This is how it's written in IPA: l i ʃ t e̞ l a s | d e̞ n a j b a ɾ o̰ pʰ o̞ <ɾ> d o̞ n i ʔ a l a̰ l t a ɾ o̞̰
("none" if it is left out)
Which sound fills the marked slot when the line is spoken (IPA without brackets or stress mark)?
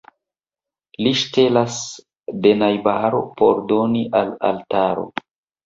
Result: ɾ